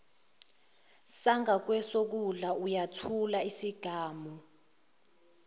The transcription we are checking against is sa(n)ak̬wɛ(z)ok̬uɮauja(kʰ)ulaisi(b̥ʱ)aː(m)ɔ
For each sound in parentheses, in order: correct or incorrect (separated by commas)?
incorrect, incorrect, incorrect, incorrect, correct